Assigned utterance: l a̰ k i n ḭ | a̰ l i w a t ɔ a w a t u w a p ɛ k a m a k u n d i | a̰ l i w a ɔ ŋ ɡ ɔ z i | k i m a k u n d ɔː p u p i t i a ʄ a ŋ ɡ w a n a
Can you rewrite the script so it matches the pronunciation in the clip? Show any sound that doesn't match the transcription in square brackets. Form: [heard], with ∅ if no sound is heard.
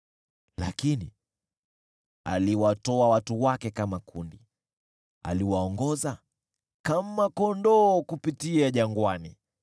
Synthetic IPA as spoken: l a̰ k i n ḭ | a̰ l i w a t ɔ a w a t u w a [k] ɛ k a m a k u n d i | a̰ l i w a ɔ ŋ ɡ ɔ z [a] | k [a] m a k [ɔ] n d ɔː [k] u p i t i a ʄ a ŋ ɡ w a n [i]